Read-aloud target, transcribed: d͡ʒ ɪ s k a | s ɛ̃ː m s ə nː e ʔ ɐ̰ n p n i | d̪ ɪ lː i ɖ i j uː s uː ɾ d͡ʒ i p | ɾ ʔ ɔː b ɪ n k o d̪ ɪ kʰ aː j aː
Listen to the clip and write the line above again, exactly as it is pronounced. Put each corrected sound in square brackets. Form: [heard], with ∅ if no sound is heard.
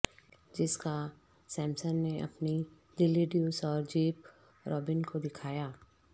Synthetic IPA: d͡ʒ ɪ s k a | s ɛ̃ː m s ə nː e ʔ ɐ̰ [∅] p n i | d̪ ɪ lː i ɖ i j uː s [ɔː] ɾ d͡ʒ [iː] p | ɾ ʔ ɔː b ɪ n k o d̪ ɪ kʰ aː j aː